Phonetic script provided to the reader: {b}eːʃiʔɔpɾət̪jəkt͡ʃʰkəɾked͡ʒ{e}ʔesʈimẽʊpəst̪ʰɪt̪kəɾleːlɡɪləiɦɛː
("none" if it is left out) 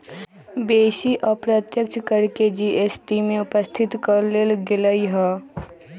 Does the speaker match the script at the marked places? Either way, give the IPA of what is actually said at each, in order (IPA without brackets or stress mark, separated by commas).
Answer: b, i